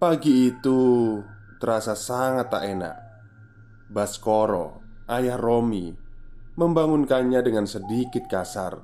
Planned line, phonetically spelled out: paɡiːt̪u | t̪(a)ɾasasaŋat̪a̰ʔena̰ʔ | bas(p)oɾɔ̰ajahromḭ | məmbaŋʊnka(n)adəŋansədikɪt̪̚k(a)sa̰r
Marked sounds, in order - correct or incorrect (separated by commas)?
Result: incorrect, incorrect, incorrect, correct